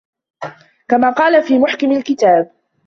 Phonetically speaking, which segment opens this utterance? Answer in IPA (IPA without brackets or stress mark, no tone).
k